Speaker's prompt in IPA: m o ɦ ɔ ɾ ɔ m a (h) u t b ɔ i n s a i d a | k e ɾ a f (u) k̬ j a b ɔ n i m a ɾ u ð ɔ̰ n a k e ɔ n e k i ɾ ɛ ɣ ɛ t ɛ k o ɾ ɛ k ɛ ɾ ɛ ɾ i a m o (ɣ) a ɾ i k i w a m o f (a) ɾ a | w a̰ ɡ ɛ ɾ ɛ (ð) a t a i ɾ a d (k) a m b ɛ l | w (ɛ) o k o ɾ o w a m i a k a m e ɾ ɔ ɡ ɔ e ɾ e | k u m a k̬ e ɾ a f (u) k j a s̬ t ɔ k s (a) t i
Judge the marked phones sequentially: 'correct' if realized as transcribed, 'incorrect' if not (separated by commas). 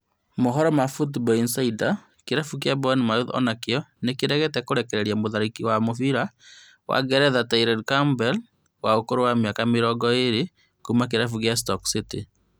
incorrect, correct, incorrect, incorrect, correct, correct, incorrect, correct, incorrect